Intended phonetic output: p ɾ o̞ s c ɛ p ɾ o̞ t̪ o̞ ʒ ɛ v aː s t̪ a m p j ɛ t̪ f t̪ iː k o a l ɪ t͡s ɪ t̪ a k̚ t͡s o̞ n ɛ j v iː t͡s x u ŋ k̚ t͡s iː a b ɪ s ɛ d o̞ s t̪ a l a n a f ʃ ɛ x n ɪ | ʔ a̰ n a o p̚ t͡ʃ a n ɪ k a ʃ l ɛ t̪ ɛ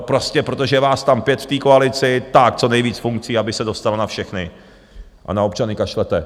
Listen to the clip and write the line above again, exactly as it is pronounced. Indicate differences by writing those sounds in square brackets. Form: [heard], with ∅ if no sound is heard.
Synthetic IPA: p ɾ o̞ s c ɛ p ɾ o̞ t̪ o̞ ʒ ɛ v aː s t̪ a m p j ɛ t̪ f t̪ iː k o a l ɪ t͡s ɪ t̪ a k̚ t͡s o̞ n ɛ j v iː t͡s [f] u ŋ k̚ t͡s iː a b ɪ s ɛ d o̞ s t̪ a l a n a f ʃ ɛ x n ɪ | ʔ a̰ n a o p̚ t͡ʃ a n ɪ k a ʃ l ɛ t̪ ɛ